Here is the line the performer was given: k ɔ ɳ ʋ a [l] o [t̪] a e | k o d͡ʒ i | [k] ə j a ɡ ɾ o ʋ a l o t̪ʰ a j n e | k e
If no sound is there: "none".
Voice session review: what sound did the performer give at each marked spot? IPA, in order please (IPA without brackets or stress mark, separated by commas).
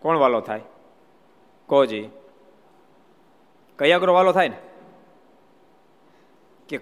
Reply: l, t̪ʰ, k